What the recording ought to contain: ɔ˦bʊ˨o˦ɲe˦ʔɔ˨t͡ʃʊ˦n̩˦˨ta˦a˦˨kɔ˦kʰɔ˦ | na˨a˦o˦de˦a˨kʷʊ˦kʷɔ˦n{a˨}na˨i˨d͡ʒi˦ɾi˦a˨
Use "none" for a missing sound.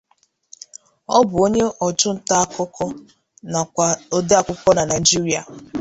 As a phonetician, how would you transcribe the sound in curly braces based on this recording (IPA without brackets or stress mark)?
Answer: a˨